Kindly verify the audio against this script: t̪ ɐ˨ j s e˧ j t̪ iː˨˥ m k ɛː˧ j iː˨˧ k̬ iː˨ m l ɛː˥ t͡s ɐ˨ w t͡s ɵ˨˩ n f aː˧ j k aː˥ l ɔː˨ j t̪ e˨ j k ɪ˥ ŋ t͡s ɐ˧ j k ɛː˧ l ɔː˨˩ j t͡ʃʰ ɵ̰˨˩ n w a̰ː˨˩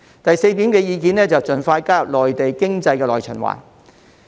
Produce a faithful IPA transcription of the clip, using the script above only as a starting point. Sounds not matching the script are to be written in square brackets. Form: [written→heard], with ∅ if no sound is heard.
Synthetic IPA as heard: t̪ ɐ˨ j s e˧ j t̪ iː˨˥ m k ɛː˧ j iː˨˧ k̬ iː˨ [m→n] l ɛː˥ t͡s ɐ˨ w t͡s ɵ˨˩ n f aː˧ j k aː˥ l ɔː˨ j t̪ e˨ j k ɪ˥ ŋ t͡s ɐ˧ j k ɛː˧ l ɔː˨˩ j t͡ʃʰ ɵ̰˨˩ n w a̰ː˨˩

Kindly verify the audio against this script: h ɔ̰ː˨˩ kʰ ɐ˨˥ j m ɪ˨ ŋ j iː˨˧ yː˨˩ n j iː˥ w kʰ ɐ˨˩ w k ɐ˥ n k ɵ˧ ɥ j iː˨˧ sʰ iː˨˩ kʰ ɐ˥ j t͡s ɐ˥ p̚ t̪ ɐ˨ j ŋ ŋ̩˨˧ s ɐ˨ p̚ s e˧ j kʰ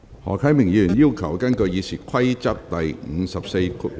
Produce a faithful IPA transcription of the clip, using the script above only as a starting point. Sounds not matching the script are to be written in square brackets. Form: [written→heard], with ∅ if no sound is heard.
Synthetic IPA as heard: h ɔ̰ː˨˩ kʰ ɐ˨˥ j m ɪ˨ ŋ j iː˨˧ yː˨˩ n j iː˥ w kʰ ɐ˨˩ w k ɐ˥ n k ɵ˧ ɥ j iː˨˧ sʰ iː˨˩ kʰ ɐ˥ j t͡s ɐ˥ [p̚→k̚] t̪ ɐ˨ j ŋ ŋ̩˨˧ s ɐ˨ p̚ s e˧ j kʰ

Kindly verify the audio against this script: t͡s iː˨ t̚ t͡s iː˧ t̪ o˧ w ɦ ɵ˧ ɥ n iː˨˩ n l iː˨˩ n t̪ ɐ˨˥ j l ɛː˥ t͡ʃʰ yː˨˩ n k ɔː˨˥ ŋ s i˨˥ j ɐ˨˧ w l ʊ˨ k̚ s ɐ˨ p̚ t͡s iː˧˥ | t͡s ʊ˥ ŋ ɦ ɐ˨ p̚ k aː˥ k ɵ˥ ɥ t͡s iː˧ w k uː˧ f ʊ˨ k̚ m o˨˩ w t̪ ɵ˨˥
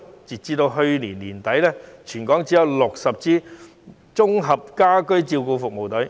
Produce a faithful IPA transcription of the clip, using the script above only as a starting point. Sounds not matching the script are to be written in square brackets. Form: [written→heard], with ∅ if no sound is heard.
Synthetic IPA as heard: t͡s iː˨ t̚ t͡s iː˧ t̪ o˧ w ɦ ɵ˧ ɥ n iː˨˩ n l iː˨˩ n t̪ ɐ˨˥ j l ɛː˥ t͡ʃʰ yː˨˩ n k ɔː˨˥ ŋ [s→t͡s] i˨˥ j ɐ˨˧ w l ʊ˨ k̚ s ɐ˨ p̚ t͡s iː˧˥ | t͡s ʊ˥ ŋ ɦ ɐ˨ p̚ k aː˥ k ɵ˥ ɥ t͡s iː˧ w k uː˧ f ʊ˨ k̚ m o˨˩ w t̪ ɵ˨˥

